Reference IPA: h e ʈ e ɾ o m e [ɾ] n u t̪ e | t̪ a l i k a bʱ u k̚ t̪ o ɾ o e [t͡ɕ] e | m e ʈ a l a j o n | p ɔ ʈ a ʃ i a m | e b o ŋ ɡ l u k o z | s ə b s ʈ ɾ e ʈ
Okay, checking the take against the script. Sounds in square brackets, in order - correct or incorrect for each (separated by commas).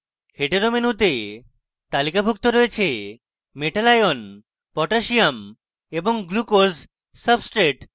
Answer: incorrect, incorrect